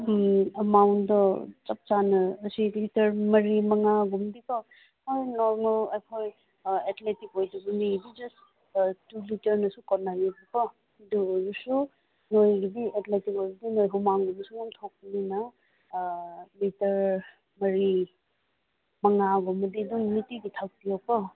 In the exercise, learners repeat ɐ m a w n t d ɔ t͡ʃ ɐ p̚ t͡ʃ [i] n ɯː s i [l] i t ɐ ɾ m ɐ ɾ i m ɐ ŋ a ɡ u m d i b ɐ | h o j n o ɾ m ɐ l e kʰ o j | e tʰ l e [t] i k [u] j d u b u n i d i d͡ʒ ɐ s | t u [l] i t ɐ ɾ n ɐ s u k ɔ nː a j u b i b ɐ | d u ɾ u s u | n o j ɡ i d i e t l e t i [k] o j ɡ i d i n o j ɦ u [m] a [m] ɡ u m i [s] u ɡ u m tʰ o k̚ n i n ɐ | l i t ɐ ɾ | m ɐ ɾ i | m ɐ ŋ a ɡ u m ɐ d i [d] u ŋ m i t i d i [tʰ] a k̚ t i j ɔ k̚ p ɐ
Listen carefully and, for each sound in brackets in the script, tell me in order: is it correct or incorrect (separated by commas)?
incorrect, correct, correct, incorrect, correct, correct, correct, incorrect, correct, correct, correct